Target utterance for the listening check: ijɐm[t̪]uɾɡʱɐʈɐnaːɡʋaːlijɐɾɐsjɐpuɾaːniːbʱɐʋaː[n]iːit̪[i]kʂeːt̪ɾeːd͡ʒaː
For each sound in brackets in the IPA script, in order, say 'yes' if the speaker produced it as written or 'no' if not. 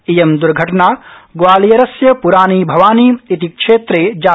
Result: no, yes, yes

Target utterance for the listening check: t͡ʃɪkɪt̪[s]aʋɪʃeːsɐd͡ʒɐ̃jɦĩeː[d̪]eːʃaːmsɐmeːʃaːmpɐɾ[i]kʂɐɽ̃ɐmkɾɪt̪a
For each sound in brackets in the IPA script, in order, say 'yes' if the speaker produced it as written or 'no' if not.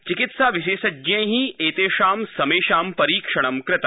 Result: yes, no, no

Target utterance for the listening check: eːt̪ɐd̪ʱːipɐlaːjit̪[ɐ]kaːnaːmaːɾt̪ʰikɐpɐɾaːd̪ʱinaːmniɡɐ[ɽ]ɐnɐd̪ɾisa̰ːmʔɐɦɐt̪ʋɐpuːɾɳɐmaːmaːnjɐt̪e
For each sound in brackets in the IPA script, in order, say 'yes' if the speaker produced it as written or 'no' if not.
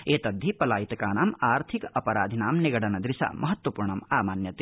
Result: yes, yes

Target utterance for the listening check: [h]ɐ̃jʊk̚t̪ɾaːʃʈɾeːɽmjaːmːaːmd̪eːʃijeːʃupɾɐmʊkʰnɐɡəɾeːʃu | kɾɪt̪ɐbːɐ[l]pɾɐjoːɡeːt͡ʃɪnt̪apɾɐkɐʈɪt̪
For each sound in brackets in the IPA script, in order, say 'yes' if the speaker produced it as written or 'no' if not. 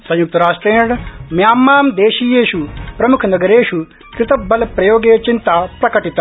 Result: no, yes

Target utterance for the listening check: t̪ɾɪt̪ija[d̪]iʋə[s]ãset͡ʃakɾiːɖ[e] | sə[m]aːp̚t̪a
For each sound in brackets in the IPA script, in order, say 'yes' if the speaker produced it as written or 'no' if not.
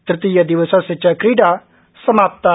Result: yes, yes, no, yes

